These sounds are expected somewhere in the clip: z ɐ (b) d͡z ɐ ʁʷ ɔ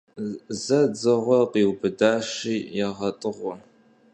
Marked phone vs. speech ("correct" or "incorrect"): incorrect